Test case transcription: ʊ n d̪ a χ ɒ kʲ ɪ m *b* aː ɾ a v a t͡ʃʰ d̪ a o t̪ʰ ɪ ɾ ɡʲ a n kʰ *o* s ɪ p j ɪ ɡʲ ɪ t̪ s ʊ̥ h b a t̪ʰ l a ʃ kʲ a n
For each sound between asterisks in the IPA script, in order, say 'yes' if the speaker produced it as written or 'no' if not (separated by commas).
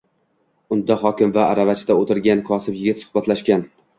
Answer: no, no